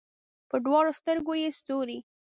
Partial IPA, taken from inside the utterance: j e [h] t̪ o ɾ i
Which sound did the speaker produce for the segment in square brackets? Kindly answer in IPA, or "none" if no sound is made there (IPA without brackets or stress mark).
s